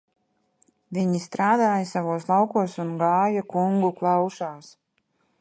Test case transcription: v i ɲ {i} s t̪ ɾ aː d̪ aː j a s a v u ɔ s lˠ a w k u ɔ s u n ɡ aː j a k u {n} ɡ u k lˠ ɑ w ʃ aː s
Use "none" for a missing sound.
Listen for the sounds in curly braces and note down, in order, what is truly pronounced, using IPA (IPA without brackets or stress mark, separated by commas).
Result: i, ŋ